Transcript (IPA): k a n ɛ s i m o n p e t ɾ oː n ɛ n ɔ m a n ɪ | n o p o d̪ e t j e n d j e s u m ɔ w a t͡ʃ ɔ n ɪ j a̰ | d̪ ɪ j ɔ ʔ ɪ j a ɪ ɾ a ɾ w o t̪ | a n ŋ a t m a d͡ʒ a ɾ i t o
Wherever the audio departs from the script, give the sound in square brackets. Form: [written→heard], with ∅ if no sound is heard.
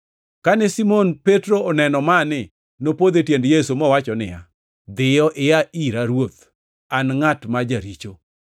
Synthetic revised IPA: k a n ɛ s i m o n p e t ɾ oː n ɛ n ɔ m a n ɪ | n o p o d̪ e t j e n d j e s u m ɔ w a t͡ʃ ɔ n ɪ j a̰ | d̪ ɪ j ɔ ʔ ɪ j a [ɪ→i] ɾ a ɾ w o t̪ | a n ŋ a t m a d͡ʒ a ɾ i [t→t͡ʃ] o